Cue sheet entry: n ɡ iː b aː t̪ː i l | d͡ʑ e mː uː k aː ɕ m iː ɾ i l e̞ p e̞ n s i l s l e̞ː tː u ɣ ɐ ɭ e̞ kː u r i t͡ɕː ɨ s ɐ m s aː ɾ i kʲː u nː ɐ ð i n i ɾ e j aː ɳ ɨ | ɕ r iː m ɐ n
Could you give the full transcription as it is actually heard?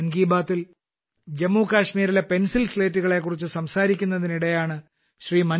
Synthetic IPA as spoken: n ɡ iː b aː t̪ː i l | d͡ʑ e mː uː k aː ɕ m iː ɾ i l e̞ p e̞ n s i l s l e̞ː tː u ɣ ɐ ɭ e̞ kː u r i t͡ɕː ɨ s ɐ m s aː ɾ i kʲː u nː ɐ ð i n i ɽ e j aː ɳ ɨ | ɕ r iː m ɐ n